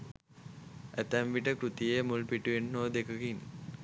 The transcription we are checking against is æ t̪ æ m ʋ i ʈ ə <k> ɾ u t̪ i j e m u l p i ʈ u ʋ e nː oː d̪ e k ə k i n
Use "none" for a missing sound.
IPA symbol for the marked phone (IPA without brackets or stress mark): k